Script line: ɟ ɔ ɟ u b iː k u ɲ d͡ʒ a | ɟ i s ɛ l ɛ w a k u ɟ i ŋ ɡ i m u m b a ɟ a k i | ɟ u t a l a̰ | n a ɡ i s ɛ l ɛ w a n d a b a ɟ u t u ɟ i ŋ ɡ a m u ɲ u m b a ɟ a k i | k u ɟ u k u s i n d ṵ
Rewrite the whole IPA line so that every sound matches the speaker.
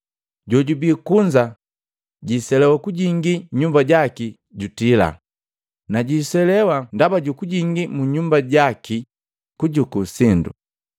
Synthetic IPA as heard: ɟ ɔ ɟ u b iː k u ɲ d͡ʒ a | ɟ i s ɛ l ɛ w a k u ɟ i ŋ ɡ i ɲ u m b a ɟ a k i | ɟ u t i l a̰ | n a ɟ i s ɛ l ɛ w a n d a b a ɟ u k u ɟ i ŋ ɡ i m u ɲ u m b a ɟ a k i | k u ɟ u k u s i n d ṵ